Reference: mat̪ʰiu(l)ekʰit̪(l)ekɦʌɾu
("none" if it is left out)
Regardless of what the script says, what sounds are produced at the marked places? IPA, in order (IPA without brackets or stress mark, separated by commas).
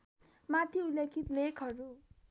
l, l